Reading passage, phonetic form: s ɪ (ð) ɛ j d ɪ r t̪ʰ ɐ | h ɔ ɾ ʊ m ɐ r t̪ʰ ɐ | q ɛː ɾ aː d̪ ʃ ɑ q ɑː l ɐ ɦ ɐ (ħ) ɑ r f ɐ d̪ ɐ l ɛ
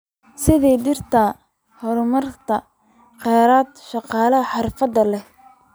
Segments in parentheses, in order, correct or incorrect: correct, correct

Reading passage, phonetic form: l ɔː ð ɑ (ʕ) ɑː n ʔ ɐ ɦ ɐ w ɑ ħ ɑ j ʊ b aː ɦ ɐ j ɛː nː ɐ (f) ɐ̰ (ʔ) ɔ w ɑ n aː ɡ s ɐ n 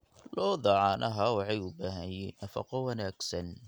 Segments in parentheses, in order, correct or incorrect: correct, correct, incorrect

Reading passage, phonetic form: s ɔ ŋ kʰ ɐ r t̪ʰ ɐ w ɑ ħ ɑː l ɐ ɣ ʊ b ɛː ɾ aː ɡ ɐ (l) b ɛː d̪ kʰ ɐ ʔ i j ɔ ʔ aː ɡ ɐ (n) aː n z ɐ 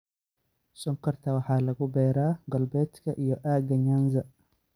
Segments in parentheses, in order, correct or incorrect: correct, incorrect

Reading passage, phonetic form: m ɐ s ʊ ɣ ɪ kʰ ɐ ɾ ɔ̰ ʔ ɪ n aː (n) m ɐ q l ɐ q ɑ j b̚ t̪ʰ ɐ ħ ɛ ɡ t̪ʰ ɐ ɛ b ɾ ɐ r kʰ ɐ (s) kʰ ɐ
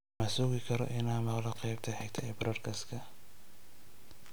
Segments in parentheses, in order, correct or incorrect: incorrect, correct

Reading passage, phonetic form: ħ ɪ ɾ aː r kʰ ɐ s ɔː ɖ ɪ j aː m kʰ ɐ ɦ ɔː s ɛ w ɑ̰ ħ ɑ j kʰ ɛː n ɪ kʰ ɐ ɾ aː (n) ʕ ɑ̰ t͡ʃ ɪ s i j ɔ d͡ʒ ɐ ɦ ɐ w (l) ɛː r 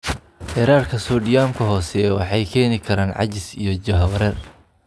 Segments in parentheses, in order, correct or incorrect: correct, incorrect

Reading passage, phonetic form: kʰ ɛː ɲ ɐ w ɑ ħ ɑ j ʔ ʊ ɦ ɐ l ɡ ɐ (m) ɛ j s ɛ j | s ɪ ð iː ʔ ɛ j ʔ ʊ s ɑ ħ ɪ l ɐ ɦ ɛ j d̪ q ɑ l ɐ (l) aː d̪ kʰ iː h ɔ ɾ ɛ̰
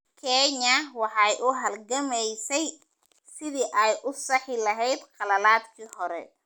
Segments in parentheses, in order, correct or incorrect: correct, correct

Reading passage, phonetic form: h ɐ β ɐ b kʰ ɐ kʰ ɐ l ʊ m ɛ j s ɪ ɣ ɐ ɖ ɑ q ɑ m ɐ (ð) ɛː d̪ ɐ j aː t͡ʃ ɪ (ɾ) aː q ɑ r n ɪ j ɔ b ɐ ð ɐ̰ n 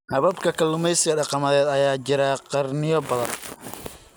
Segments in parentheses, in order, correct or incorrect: correct, correct

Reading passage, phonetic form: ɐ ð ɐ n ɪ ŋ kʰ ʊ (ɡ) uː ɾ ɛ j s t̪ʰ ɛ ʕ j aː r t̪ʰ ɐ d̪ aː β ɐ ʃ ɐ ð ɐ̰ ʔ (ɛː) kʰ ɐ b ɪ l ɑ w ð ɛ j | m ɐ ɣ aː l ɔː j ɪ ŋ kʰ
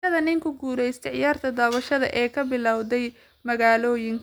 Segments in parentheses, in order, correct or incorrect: correct, correct

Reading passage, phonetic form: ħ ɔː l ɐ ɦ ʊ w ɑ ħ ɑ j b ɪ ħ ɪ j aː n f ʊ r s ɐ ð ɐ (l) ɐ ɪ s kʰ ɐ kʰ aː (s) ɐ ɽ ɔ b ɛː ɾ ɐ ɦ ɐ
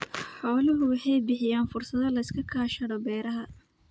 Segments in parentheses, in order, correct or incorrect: correct, incorrect

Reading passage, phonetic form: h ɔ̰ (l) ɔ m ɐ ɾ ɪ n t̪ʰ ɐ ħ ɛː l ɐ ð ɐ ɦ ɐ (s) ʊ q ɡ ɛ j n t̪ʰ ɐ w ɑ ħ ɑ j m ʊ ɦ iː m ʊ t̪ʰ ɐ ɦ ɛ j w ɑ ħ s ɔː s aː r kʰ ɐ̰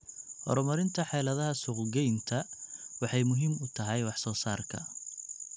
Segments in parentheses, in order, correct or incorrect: incorrect, correct

